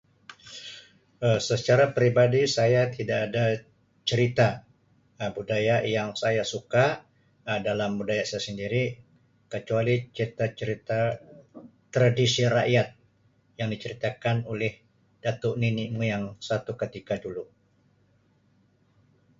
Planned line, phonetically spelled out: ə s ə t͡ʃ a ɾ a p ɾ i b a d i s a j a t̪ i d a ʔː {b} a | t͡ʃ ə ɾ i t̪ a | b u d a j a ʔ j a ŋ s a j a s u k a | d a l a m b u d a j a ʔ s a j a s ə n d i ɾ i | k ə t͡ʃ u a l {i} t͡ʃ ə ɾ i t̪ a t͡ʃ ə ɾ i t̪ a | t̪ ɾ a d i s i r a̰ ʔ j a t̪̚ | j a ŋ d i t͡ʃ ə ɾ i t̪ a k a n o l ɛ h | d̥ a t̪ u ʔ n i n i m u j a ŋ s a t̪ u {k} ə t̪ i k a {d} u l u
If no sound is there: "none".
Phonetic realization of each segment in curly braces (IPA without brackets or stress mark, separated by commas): d, i, k, d